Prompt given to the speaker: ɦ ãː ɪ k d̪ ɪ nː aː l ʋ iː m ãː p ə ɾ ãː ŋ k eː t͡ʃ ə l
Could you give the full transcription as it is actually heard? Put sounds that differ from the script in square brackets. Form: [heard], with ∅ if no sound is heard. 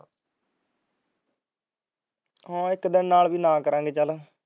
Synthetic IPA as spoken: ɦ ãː ɪ k d̪ ɪ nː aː l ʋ iː [n] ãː [k] ə ɾ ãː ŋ [ɡ] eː t͡ʃ ə l